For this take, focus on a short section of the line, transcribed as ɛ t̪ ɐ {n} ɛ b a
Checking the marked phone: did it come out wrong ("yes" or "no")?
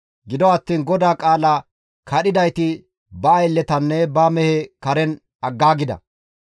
yes